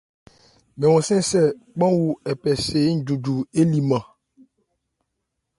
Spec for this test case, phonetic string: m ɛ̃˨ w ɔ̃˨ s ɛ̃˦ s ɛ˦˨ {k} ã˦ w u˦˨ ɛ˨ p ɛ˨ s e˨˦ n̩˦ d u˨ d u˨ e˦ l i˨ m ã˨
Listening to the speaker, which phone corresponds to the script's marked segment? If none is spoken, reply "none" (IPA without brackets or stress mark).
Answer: k͡p